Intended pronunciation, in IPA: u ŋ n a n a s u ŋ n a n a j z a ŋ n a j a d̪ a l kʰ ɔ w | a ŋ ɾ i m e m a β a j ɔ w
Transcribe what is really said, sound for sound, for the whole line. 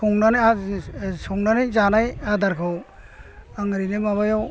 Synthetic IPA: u ŋ n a n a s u ŋ n a n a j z a n a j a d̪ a ɾ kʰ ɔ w | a ŋ ɾ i n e m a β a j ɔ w